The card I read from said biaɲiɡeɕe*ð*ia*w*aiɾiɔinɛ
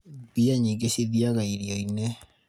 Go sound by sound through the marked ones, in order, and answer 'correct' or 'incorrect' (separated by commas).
correct, incorrect